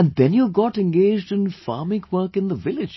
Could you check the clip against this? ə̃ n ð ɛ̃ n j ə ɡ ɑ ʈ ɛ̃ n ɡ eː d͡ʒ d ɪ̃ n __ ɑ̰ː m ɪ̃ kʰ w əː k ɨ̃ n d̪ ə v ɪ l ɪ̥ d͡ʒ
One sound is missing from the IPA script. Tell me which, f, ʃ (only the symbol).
f